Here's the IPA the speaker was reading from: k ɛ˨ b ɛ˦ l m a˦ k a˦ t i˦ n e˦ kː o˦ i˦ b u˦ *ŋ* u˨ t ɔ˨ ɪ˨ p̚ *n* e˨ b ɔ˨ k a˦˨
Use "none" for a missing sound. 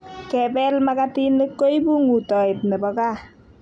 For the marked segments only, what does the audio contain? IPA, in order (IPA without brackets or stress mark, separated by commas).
ŋ, n